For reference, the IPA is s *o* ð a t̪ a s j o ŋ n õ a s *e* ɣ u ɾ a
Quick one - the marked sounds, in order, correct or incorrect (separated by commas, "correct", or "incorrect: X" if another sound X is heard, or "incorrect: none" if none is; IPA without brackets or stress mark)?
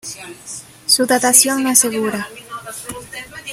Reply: incorrect: u, correct